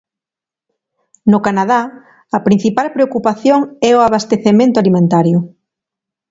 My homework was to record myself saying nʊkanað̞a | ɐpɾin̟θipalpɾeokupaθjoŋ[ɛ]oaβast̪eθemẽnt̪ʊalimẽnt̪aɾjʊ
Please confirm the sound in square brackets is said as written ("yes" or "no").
yes